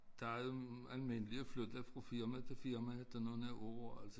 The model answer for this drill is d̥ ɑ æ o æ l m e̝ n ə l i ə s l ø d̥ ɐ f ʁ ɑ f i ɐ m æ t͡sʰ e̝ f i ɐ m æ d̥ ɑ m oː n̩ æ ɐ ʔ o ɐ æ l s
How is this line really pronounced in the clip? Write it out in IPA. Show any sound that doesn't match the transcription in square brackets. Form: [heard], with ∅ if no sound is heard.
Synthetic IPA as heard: d̥ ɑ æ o æ l m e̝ n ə l i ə [f] l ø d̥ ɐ f ʁ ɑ f i ɐ m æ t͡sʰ e̝ f i ɐ m æ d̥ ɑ [n] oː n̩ æ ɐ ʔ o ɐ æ l s